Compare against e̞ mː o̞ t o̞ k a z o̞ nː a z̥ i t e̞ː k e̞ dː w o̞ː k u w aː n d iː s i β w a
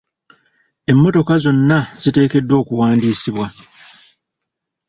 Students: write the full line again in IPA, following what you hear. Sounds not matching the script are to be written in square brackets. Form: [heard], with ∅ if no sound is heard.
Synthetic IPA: e̞ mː o̞ t o̞ k a z o̞ nː a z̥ i t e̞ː k e̞ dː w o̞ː k u w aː n d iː s i β w a